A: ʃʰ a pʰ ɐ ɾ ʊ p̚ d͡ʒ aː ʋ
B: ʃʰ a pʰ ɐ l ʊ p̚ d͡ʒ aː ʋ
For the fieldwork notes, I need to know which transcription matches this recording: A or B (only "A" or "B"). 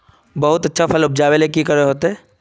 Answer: B